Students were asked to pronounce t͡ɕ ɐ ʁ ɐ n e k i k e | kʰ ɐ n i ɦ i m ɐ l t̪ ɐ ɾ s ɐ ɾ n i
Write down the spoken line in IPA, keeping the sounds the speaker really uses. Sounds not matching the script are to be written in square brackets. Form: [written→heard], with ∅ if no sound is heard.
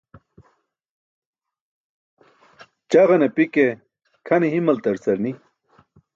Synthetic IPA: t͡ɕ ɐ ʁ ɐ n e [k→p] i k e | kʰ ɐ n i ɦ i m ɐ l t̪ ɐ ɾ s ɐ ɾ n i